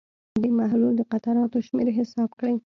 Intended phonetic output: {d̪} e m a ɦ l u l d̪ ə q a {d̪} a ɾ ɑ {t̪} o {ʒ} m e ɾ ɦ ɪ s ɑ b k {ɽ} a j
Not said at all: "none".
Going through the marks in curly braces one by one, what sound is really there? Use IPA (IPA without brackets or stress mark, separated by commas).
d̪, t̪, t̪, ʃ, ɽ